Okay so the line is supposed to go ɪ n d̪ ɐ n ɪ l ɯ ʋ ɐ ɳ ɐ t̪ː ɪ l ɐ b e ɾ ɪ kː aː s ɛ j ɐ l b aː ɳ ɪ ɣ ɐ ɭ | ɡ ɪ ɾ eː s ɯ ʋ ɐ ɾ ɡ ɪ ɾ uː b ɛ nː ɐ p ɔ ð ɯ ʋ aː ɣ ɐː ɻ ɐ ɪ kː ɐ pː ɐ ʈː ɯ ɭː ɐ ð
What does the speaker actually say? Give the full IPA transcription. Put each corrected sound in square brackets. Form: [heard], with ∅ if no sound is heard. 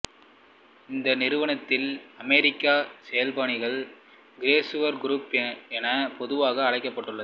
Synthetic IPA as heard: ɪ n d̪ ɐ n ɪ [ɾ] ɯ ʋ ɐ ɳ ɐ t̪ː ɪ l ɐ [m] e ɾ ɪ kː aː s ɛ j ɐ l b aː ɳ ɪ ɣ ɐ ɭ | ɡ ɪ ɾ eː s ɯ ʋ ɐ ɾ ɡ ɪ ɾ uː [p] ɛ [n] ɐ p ɔ ð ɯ ʋ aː ɣ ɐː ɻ ɐ ɪ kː ɐ pː ɐ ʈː ɯ ɭː ɐ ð